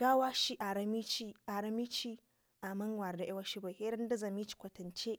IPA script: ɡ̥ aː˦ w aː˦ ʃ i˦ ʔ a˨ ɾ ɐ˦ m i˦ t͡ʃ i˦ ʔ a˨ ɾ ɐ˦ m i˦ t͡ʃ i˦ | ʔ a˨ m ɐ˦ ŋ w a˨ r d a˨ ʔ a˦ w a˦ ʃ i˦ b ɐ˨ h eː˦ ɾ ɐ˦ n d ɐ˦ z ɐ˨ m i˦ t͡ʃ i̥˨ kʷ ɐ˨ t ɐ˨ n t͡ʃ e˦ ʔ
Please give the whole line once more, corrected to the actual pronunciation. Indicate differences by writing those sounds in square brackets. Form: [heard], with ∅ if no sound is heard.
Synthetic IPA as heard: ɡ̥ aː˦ w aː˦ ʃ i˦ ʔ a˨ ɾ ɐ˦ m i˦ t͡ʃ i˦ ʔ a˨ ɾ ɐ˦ m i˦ t͡ʃ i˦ | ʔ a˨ m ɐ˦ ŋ w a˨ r d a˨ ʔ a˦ w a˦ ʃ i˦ b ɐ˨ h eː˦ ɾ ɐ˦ n d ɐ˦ z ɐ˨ m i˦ t͡ʃ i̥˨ kʷ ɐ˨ t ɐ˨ n t͡ʃ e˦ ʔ

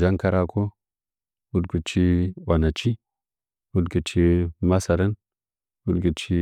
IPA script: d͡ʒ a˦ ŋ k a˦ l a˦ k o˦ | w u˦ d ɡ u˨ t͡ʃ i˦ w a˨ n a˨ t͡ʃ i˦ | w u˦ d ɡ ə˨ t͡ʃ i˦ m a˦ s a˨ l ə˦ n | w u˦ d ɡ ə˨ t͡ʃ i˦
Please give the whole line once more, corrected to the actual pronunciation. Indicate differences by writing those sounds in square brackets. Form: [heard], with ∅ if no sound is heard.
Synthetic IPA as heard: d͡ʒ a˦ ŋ k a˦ [ɾ] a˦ k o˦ | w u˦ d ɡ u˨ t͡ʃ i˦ w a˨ n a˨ t͡ʃ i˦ | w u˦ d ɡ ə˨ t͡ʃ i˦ m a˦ s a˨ [ɾ] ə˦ n | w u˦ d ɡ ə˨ t͡ʃ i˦

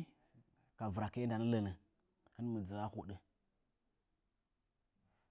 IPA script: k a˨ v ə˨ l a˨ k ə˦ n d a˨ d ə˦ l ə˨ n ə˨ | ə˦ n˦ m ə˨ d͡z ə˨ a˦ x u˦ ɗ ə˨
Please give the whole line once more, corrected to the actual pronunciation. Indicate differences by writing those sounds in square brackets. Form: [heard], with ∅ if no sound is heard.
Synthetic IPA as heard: k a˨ v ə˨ [ɾ] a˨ k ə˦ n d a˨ [n] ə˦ l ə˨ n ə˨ | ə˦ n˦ m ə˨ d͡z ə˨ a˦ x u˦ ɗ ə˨

